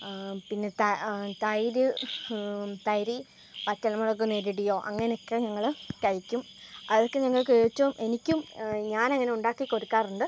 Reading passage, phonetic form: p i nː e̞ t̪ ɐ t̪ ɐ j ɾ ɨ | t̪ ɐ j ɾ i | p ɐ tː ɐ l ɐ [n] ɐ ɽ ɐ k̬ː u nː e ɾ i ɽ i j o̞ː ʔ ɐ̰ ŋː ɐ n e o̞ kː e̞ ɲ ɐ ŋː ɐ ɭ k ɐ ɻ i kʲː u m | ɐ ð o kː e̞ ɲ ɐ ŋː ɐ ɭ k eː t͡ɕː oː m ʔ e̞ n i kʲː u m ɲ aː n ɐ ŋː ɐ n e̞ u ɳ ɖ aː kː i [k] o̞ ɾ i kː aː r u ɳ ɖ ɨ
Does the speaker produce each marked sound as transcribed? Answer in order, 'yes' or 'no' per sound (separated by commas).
no, yes